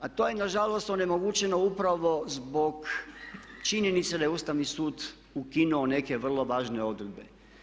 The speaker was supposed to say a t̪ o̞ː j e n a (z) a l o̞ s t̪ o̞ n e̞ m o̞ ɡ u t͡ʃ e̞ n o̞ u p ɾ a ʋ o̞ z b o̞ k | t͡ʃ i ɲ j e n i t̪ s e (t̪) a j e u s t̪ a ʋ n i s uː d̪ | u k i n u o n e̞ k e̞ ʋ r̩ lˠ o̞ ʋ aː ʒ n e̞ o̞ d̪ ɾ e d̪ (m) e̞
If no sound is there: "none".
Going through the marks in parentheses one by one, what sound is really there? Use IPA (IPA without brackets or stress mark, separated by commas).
ʒ, d̪, b